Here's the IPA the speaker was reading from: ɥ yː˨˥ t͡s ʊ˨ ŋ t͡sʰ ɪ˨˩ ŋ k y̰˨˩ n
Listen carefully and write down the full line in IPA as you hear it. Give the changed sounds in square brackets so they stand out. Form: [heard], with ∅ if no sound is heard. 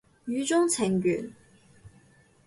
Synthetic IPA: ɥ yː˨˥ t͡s [ʊ˥] ŋ t͡sʰ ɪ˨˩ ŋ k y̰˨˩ n